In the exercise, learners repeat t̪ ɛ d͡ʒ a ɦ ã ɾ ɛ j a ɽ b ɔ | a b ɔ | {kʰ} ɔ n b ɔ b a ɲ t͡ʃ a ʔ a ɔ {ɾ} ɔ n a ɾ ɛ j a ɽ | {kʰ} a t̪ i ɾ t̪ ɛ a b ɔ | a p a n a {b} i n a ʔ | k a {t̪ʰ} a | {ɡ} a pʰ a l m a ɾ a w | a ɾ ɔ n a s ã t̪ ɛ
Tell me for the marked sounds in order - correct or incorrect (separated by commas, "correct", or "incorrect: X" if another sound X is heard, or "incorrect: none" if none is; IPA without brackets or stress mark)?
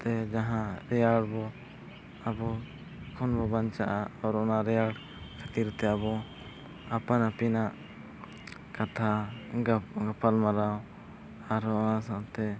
correct, correct, correct, incorrect: p, correct, correct